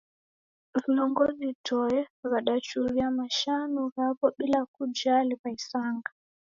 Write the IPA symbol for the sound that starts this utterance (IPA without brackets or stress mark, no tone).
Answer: v